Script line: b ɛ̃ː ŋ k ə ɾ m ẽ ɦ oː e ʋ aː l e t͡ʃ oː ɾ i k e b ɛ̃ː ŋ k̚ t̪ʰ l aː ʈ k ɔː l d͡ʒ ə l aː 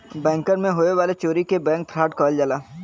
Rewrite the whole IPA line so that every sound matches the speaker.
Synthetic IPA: b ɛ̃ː ŋ k ə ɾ m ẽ ɦ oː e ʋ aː l e t͡ʃ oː ɾ i k e b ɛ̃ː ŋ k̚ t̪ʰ ɾ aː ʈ k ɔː l d͡ʒ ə l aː